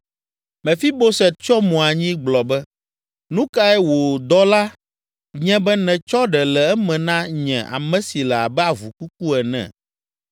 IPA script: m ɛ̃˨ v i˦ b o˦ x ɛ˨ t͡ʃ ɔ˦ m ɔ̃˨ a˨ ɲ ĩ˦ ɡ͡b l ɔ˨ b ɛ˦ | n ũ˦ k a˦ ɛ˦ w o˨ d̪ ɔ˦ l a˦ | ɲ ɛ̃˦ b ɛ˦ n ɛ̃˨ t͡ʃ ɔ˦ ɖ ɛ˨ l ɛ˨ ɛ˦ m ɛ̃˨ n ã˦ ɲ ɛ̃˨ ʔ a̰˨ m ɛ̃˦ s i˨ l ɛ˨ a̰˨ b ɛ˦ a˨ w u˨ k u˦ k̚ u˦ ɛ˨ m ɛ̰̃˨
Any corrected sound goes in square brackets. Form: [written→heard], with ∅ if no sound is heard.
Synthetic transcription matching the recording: m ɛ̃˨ [v→f] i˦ b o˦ [x→s] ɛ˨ t͡ʃ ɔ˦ m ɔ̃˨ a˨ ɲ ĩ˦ ɡ͡b l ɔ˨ b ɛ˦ | n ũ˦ k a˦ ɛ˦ w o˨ d̪ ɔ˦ l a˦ | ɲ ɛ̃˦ b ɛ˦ n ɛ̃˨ t͡ʃ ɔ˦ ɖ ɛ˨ l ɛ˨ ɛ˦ m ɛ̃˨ n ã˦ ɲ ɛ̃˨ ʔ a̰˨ m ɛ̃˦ s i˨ l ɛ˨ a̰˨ b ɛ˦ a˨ [w→v] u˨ k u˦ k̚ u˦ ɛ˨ [m→n] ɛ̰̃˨